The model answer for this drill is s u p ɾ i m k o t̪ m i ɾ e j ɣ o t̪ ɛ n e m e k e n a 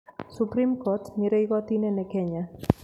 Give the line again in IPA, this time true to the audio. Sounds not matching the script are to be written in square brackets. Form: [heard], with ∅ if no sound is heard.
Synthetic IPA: s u p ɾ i m k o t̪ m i ɾ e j ɣ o t̪ [i] n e [n] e k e [ɲ] a